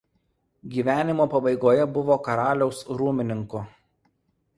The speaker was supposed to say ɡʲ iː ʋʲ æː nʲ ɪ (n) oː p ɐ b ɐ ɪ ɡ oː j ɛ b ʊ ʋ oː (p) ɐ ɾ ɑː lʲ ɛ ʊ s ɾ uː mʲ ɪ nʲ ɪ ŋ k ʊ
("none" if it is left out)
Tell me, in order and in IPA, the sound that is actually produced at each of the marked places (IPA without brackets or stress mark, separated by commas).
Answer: m, k